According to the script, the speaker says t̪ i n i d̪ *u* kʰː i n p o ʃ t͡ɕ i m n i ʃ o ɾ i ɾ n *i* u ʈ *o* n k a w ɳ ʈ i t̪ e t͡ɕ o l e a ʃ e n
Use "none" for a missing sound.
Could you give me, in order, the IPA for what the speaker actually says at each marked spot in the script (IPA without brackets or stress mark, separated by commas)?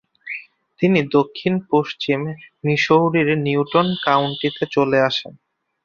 o, i, o